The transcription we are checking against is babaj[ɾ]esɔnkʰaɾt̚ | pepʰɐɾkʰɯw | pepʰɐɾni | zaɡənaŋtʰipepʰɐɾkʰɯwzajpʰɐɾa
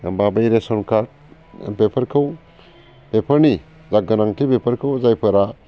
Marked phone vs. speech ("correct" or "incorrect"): correct